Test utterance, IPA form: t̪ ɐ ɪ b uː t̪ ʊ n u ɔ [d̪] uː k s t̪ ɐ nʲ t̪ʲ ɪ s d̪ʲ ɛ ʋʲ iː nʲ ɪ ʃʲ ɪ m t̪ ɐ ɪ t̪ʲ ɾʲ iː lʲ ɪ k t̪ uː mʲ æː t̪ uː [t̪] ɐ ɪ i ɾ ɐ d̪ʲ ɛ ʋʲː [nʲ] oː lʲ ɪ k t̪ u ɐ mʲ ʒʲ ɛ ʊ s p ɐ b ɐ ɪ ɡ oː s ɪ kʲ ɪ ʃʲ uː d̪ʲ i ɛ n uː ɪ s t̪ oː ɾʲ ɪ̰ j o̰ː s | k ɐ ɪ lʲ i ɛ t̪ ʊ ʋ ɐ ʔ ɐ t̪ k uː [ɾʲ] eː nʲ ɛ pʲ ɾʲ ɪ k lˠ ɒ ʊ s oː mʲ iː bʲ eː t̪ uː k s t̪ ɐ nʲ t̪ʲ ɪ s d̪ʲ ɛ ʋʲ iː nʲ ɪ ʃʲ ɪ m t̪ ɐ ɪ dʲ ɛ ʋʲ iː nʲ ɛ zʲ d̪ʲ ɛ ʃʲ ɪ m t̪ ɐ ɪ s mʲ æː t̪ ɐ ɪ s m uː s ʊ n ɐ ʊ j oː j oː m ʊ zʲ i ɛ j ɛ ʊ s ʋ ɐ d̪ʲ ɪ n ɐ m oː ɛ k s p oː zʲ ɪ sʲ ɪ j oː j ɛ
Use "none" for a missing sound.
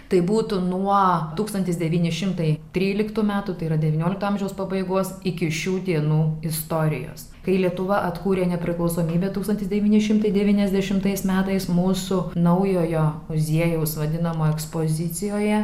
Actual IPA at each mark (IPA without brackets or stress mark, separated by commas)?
t̪, t̪, nʲ, ɾʲ